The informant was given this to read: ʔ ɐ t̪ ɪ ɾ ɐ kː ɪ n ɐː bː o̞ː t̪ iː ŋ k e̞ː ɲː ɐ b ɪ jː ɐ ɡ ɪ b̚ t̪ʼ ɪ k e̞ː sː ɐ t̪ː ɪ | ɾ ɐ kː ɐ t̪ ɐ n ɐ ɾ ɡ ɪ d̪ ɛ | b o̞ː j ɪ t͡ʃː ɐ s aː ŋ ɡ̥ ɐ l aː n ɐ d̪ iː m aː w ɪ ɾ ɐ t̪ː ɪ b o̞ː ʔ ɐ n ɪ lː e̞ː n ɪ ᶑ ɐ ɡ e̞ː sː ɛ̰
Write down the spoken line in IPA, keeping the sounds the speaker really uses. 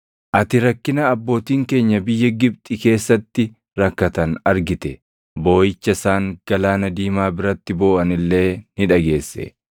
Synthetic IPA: ʔ ɐ t̪ ɪ ɾ ɐ kː ɪ n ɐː bː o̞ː t̪ iː ŋ k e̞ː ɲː ɐ b ɪ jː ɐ ɡ ɪ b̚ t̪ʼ ɪ k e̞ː sː ɐ t̪ː ɪ | ɾ ɐ kː ɐ t̪ ɐ n ɐ ɾ ɡ ɪ t̪ ɛ | b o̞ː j ɪ t͡ʃː ɐ s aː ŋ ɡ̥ ɐ l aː n ɐ d̪ iː m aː b ɪ ɾ ɐ t̪ː ɪ b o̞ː ʔ ɐ n ɪ lː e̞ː n ɪ ᶑ ɐ ɡ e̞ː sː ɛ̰